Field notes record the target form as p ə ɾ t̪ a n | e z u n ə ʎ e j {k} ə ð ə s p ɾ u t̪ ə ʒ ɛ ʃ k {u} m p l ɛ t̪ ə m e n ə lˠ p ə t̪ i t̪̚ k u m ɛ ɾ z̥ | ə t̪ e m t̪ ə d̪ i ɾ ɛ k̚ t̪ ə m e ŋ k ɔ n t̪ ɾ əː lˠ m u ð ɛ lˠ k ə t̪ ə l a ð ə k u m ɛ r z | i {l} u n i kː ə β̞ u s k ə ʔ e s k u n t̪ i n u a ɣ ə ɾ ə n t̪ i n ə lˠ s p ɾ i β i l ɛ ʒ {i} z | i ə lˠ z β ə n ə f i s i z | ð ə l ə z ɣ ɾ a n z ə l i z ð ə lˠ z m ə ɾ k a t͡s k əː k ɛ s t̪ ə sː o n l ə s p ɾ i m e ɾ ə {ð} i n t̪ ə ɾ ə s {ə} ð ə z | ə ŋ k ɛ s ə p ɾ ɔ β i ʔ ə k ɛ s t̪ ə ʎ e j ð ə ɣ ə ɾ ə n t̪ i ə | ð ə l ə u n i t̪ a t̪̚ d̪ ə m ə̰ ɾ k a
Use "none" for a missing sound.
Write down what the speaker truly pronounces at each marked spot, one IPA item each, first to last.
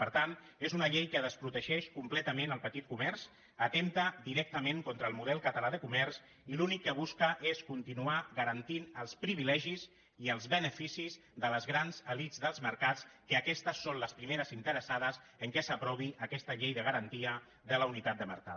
k, u, l, i, z, a

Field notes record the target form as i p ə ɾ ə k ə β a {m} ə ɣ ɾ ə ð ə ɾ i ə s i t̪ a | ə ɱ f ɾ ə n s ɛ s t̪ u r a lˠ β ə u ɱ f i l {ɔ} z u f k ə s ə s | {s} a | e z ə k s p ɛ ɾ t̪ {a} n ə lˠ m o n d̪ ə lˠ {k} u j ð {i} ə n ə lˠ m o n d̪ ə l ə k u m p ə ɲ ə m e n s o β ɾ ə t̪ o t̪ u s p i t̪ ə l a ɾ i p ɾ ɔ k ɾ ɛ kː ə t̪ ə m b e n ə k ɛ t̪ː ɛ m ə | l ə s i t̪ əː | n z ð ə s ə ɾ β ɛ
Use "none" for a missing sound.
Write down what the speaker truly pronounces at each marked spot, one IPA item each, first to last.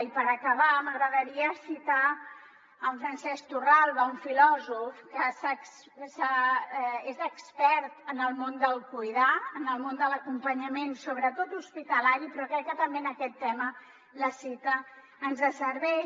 m, ɔ, s, ə, k, a

